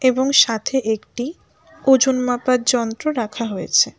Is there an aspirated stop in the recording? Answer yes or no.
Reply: yes